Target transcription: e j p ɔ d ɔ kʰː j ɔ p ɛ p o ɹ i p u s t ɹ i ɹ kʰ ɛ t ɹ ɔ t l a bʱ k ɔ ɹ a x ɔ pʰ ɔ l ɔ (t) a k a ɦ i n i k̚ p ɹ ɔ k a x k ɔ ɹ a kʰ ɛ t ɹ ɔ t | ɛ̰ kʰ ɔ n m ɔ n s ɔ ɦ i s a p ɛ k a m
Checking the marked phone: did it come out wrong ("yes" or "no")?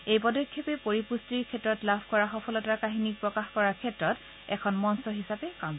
no